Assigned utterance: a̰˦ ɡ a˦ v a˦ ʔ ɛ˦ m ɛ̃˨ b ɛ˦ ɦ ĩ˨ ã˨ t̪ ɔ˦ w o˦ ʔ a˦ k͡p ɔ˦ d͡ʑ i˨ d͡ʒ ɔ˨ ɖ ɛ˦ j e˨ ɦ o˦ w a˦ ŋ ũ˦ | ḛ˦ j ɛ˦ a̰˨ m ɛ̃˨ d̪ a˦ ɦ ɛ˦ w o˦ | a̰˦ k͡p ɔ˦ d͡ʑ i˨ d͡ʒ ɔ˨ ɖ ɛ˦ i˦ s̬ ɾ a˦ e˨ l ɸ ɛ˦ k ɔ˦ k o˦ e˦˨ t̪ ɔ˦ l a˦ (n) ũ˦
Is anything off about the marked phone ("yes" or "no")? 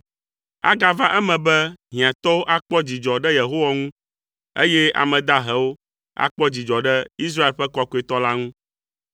yes